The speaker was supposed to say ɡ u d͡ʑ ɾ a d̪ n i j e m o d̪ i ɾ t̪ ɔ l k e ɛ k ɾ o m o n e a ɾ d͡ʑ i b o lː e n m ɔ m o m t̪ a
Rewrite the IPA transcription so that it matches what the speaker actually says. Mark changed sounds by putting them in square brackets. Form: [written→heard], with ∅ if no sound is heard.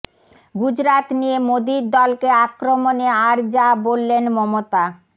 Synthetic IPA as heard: ɡ u d͡ʑ ɾ a [d̪→t̪] n i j e m o d̪ i ɾ [t̪→d̪] ɔ l k e [ɛ→a] k ɾ o m o n e a ɾ d͡ʑ [i→a] b o lː e n m ɔ m o [m→∅] t̪ a